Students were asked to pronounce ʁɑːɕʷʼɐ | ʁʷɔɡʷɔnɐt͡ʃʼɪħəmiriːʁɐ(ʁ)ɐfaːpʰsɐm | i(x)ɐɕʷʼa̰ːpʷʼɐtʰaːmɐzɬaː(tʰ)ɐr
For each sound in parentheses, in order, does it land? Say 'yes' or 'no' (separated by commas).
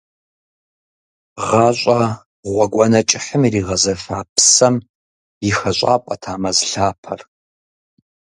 no, yes, no